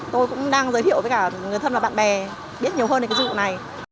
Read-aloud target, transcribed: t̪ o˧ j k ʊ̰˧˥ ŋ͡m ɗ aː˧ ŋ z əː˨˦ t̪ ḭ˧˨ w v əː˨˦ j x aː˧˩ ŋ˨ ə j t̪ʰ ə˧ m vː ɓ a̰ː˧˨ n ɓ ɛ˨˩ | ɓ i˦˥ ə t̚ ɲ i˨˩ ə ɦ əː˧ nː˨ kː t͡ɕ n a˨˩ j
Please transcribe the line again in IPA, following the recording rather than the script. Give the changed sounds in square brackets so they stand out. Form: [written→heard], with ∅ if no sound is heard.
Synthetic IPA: t̪ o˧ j k ʊ̰˧˥ ŋ͡m ɗ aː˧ ŋ z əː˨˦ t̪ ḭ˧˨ w v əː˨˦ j [x→k] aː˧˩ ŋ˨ ə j t̪ʰ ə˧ [m→n] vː ɓ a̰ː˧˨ n ɓ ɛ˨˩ | ɓ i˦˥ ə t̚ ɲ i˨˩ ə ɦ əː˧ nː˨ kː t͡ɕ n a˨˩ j

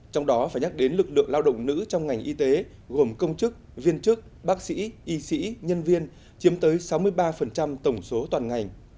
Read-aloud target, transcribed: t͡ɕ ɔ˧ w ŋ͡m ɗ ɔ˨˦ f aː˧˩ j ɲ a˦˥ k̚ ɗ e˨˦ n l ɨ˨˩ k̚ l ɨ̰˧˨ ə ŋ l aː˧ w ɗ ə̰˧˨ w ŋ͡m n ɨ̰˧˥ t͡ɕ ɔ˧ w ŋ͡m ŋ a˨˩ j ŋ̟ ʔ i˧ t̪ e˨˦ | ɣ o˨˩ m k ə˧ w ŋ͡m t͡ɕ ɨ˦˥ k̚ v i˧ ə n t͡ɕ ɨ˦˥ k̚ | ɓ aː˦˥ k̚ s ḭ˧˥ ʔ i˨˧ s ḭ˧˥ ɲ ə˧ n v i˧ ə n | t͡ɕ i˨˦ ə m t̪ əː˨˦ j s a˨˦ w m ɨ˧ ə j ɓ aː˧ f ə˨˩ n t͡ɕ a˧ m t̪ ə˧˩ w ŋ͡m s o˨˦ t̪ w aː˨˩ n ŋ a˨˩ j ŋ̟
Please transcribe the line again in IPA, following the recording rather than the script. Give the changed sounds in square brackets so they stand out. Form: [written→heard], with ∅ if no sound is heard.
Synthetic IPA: t͡ɕ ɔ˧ w ŋ͡m ɗ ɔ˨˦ f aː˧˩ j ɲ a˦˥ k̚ ɗ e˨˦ n l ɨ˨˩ k̚ l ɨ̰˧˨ ə ŋ l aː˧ w ɗ ə̰˧˨ w ŋ͡m n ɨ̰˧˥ t͡ɕ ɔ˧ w ŋ͡m ŋ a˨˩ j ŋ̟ ʔ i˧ t̪ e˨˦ | ɣ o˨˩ m k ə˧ w ŋ͡m t͡ɕ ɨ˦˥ k̚ v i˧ ə n t͡ɕ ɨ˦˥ k̚ | ɓ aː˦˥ k̚ s ḭ˧˥ ʔ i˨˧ s ḭ˧˥ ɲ ə˧ n v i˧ ə n | t͡ɕ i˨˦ ə m t̪ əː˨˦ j s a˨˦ w m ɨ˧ ə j ɓ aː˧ f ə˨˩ n t͡ɕ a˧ m t̪ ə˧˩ w ŋ͡m s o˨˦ t̪ w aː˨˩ n ŋ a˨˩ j ŋ̟

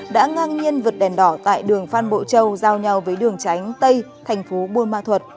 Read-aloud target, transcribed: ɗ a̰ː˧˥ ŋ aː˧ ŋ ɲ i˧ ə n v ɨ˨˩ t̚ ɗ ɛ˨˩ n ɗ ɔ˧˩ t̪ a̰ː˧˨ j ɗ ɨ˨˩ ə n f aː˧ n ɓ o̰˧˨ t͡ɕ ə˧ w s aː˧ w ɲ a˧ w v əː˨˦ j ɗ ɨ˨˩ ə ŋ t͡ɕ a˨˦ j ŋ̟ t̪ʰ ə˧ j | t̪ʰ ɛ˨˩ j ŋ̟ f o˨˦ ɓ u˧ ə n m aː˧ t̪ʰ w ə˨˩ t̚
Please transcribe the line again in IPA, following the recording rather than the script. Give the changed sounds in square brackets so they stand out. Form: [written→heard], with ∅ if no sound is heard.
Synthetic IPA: ɗ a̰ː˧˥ ŋ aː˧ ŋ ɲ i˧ ə n v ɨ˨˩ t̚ ɗ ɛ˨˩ n ɗ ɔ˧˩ t̪ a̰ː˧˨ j ɗ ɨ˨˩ ə [n→ŋ] f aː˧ n ɓ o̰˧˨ t͡ɕ ə˧ w [s→z] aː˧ w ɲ a˧ w v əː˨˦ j ɗ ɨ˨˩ ə ŋ t͡ɕ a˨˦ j ŋ̟ [t̪ʰ→t̪] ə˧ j | t̪ʰ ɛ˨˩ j ŋ̟ f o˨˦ ɓ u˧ ə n m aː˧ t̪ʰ w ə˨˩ t̚

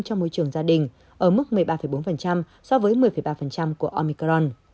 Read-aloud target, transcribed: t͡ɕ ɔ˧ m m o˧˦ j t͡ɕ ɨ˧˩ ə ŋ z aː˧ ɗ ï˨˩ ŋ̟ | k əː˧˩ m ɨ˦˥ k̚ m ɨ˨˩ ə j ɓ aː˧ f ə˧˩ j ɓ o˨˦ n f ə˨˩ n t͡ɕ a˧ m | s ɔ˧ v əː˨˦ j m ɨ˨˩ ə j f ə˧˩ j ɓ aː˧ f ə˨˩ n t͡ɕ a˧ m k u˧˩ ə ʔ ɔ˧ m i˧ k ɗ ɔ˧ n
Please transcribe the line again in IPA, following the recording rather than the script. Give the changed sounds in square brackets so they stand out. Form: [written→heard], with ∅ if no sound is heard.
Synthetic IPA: t͡ɕ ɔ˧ [m→ŋ͡m] m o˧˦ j t͡ɕ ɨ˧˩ ə ŋ z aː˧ ɗ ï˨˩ ŋ̟ | [k→ʔ] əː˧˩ m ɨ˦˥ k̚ m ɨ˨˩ ə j ɓ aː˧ f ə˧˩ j ɓ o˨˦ n f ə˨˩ n t͡ɕ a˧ m | s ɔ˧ v əː˨˦ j m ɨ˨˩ ə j f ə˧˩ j ɓ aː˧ f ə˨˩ n t͡ɕ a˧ m k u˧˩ ə ʔ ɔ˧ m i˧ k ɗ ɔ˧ n

